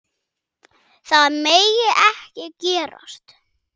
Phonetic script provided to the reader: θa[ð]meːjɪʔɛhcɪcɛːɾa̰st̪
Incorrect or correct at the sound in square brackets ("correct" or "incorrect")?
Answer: correct